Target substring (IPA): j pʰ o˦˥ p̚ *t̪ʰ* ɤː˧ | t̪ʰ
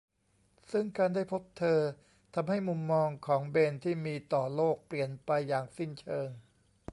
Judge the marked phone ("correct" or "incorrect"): correct